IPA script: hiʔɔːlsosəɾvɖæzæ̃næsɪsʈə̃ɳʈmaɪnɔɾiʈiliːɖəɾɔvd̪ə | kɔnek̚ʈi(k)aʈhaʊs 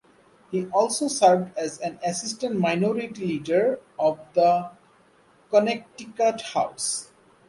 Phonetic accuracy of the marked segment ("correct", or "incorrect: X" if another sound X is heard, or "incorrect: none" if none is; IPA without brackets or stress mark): correct